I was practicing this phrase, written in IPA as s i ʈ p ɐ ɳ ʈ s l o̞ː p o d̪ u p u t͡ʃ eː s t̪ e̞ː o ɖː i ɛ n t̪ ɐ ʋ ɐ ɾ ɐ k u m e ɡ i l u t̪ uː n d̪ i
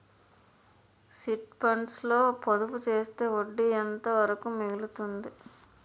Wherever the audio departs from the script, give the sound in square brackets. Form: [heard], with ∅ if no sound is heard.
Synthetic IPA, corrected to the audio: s i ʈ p ɐ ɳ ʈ s l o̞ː p o d̪ u p u t͡ʃ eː s t̪ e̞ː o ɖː i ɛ n t̪ ɐ ʋ ɐ ɾ ɐ k u m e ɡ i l u t̪ [u] n d̪ i